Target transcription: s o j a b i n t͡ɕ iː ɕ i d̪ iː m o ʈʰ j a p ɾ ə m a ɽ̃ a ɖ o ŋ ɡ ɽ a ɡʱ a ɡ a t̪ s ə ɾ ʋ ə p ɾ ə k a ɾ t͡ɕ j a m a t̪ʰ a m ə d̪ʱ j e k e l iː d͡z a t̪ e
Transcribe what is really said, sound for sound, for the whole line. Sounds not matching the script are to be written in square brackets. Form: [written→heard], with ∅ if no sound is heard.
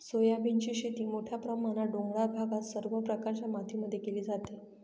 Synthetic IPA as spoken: s o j a b i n t͡ɕ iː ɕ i [d̪→t̪] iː m o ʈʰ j a p ɾ ə m a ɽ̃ a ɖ o ŋ ɡ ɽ a [ɡʱ→bʱ] a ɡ a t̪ s ə ɾ ʋ ə p ɾ ə k a ɾ t͡ɕ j a m a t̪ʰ [a→i] m ə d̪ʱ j e k e l iː d͡z a t̪ e